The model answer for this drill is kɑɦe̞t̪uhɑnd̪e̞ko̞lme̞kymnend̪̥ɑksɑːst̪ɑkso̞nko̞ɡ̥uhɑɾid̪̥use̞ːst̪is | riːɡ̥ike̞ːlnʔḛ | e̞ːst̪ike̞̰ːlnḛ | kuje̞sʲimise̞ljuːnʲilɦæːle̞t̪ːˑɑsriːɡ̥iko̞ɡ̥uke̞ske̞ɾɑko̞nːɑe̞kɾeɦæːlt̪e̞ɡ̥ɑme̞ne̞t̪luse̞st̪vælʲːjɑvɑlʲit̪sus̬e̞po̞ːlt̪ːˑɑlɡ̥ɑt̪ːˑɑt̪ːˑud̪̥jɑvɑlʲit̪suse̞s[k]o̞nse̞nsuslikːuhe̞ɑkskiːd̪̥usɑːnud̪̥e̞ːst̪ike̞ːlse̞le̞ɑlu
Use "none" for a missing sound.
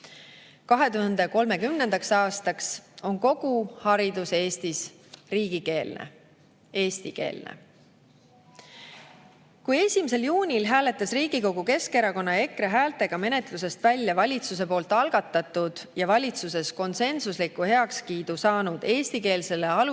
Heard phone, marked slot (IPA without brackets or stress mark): k